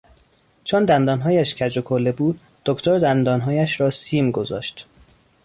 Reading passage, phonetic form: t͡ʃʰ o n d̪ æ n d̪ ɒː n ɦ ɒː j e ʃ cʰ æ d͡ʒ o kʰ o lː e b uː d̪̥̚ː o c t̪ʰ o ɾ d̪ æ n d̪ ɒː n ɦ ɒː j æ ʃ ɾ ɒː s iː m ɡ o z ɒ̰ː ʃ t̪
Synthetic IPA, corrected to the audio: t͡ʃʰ o n d̪ æ n d̪ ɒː n ɦ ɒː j æ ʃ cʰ æ d͡ʒ o kʰ o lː e b uː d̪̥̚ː o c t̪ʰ o ɾ d̪ æ n d̪ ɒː n ɦ ɒː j æ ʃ ɾ ɒː s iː m ɡ o z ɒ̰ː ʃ t̪

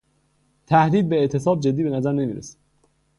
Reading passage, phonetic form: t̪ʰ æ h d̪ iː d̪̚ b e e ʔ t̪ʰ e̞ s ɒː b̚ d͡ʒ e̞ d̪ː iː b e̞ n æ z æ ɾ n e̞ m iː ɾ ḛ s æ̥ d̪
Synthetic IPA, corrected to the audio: t̪ʰ æ h d̪ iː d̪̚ b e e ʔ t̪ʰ e̞ s ɒː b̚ d͡ʒ e̞ d̪ː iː b e̞ n æ z æ ɾ n e̞ m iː ɾ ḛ s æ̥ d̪

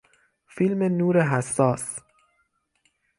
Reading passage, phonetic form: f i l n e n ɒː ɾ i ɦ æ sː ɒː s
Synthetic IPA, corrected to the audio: f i l m e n uː ɾ e ɦ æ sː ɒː s

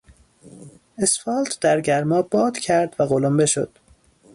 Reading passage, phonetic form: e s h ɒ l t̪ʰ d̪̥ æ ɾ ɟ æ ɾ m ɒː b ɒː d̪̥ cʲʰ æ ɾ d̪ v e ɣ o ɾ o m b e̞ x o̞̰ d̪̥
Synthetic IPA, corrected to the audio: e s f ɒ l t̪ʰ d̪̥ æ ɾ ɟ æ ɾ m ɒː b ɒː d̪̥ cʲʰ æ ɾ d̪ v æ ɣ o l o m b e̞ ʃ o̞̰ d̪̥

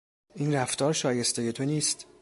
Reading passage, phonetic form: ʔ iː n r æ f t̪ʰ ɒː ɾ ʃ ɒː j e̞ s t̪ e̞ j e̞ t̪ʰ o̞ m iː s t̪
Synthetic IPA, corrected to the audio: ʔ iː n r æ f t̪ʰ ɒː ɾ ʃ ɒː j e̞ s t̪ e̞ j e̞ t̪ʰ o̞ n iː s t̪

